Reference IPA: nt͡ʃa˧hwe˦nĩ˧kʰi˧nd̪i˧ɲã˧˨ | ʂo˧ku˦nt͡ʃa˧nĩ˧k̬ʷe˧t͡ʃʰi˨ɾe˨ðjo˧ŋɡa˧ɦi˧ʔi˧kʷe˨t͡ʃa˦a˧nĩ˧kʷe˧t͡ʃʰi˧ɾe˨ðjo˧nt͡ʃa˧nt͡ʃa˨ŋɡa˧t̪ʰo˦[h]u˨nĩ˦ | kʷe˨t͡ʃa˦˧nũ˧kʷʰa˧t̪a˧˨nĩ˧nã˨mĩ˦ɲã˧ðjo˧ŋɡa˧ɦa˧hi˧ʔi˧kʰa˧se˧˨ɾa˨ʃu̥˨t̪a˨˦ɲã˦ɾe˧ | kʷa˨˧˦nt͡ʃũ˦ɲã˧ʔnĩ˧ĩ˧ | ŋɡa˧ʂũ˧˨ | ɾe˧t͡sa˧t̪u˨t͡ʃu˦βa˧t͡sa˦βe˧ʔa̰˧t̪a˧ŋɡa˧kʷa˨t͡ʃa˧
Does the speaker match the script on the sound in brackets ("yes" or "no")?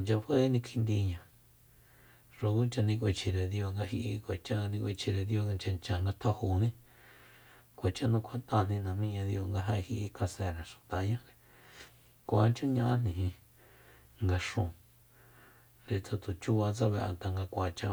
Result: yes